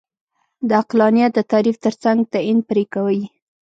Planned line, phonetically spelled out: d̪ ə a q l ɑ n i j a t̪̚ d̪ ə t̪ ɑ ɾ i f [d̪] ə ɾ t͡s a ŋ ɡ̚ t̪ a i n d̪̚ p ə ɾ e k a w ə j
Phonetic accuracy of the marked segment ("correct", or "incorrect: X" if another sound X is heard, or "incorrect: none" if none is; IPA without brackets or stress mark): incorrect: t̪